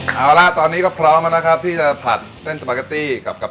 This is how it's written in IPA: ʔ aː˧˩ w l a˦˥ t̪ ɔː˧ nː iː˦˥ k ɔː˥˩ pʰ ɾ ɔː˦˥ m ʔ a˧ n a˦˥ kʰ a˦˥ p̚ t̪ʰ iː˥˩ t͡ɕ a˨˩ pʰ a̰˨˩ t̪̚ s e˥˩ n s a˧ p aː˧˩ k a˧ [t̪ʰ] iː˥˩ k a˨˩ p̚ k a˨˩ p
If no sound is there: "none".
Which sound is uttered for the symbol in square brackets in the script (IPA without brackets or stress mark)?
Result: t̪